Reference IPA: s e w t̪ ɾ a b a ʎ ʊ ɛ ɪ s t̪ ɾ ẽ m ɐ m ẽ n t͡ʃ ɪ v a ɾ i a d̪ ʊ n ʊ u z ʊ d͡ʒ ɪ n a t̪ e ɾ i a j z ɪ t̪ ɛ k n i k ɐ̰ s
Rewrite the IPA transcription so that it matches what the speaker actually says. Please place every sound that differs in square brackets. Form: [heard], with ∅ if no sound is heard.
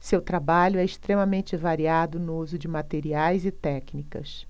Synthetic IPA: s e w t̪ ɾ a b a ʎ ʊ ɛ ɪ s t̪ ɾ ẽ m ɐ m ẽ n t͡ʃ ɪ v a ɾ i a d̪ ʊ n ʊ u z ʊ d͡ʒ ɪ [m] a t̪ e ɾ i a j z ɪ t̪ ɛ k n i k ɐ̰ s